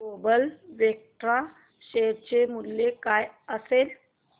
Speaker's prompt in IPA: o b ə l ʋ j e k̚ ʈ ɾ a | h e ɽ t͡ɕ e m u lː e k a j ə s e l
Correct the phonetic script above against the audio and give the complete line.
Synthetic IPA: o b ə l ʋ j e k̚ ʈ ɾ a | ɕ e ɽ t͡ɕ e m u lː e k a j ə s e l

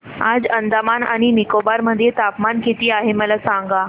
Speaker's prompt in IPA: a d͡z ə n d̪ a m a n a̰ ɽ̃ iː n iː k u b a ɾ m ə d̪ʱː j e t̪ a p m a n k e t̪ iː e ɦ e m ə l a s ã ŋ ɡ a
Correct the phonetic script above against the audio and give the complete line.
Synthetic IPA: a d͡z ə n d̪ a m a n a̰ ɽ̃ i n i k o b a ɾ m ə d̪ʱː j e t̪ a p m a n k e t̪ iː a ɦ e m ə l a s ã ŋ ɡ a

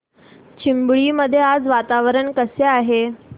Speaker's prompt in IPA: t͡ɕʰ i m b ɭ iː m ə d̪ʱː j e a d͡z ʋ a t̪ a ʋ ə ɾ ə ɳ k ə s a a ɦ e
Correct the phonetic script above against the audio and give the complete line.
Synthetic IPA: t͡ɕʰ i m b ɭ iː m ə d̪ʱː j e a d͡z ʋ a t̪ a ʋ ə ɾ ə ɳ k ə s e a ɦ e

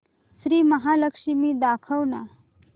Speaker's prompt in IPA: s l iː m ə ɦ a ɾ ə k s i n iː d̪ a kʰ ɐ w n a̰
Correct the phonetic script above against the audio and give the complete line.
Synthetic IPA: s ɾ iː m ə ɦ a l ə k ʂ i m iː d̪ a kʰ ə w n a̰

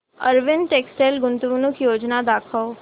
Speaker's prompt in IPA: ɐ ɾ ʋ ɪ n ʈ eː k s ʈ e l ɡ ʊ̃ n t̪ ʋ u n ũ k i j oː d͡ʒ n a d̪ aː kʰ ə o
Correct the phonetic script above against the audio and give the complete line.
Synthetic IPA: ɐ ɾ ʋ ɪ n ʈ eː k s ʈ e l ɡ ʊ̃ n t̪ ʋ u n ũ k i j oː d͡ʒ n a d̪ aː kʰ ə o

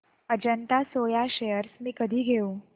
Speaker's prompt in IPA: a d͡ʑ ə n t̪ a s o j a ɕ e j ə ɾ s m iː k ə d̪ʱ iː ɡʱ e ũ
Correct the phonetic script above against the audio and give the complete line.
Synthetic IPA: ə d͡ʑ ə n t̪ a s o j a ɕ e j ə ɾ s m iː k ə d̪ʱ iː ɡʱ e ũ

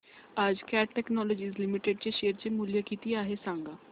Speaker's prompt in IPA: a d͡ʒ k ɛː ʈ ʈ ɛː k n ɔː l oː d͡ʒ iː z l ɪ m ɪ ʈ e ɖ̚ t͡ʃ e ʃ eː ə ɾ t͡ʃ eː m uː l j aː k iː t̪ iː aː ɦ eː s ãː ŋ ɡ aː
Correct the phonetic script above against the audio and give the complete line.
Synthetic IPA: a d͡ʒ k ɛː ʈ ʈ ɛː k n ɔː l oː d͡ʒ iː z l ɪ m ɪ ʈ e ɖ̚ t͡ʃ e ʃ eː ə ɾ t͡ʃ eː m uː l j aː k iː t̪ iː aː ɦ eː s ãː ŋ ɡ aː

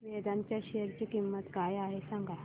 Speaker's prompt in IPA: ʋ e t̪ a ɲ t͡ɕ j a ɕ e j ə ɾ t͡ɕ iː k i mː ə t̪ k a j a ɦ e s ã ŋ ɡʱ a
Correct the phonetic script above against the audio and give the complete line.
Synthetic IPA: ʋ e d̪ a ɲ t͡ɕ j a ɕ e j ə ɾ t͡ɕ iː k i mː ə t̪ k a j a ɦ e s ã ŋ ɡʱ a

